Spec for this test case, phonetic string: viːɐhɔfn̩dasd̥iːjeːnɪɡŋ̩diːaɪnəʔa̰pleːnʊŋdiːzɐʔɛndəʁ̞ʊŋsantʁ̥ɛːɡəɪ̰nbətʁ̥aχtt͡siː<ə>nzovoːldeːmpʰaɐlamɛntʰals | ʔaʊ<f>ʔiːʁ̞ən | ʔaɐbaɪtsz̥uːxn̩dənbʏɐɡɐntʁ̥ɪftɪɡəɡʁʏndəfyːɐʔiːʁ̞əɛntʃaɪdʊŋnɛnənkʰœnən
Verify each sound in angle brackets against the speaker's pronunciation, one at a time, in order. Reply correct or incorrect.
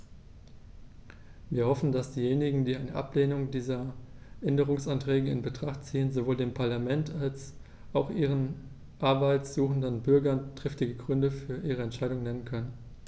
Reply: correct, incorrect

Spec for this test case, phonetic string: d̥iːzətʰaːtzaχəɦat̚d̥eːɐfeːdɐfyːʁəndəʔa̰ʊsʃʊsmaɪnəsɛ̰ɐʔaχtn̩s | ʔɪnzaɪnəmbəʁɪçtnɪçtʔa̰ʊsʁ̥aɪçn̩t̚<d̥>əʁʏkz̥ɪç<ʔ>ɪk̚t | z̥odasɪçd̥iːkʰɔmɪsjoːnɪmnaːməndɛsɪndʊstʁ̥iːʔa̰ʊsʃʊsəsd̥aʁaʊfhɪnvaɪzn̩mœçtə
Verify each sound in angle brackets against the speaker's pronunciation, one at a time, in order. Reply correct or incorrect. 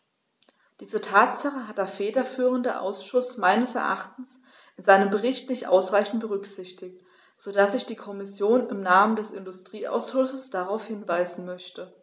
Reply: incorrect, incorrect

